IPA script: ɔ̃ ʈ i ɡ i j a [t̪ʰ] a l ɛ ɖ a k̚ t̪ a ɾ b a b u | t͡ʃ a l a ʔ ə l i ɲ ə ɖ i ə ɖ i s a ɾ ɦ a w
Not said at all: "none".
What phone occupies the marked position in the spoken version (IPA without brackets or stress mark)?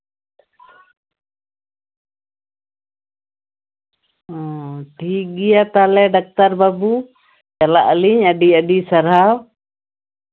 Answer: t̪